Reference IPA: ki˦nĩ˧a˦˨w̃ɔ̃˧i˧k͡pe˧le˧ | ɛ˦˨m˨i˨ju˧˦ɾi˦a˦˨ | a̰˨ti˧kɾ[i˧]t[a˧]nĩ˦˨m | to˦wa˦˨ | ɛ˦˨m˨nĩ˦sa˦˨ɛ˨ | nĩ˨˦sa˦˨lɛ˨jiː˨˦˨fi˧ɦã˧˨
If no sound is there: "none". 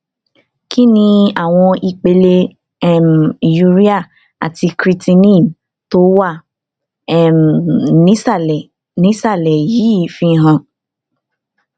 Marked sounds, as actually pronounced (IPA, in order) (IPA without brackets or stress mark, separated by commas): i˧, i˧